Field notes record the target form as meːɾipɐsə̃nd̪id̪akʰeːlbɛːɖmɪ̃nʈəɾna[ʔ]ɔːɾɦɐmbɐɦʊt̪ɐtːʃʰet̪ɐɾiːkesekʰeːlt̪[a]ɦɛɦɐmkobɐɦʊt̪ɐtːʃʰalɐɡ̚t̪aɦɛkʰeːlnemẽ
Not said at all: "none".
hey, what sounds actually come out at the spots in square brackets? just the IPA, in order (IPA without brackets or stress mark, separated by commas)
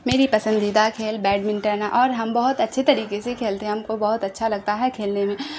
ʔ, e